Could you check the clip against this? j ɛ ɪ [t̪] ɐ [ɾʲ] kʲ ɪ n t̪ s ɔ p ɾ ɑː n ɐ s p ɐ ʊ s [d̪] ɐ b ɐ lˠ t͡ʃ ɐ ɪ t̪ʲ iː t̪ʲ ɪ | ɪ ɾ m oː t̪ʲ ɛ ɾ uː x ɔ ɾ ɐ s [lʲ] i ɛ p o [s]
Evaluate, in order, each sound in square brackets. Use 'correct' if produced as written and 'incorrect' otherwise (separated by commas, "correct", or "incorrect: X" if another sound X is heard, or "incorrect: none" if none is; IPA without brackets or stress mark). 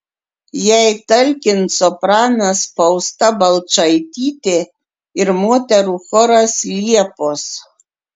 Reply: correct, incorrect: lʲ, incorrect: t̪, correct, correct